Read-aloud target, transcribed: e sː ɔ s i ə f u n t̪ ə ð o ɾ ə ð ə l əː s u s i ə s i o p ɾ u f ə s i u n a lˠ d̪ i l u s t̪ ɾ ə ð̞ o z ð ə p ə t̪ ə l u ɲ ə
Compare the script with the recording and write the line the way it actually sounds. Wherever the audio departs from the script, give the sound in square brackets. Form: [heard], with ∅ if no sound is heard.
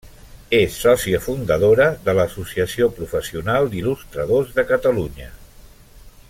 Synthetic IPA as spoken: e sː ɔ s i ə f u n [d̪] ə ð o ɾ ə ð ə l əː s u s i ə s i o p ɾ u f ə s i u n a lˠ d̪ i l u s t̪ ɾ ə ð̞ o z ð ə [k] ə t̪ ə l u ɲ ə